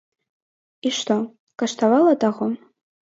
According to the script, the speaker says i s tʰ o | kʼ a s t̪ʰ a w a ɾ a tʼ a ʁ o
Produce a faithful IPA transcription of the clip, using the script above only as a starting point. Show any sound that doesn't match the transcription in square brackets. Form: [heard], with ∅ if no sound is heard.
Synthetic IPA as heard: i [ʂ] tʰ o | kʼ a [ʂ] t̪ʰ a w a [l] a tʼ a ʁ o